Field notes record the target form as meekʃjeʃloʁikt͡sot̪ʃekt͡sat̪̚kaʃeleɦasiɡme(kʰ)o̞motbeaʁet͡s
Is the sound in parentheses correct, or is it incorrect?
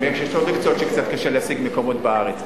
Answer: incorrect